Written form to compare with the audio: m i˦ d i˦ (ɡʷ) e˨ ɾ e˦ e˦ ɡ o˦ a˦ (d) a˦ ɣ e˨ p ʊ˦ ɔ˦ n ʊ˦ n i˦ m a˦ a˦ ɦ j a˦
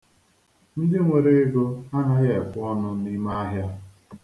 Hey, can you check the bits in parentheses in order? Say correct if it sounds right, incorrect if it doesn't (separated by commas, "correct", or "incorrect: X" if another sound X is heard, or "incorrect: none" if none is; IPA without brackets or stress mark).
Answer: incorrect: ŋʷ, incorrect: n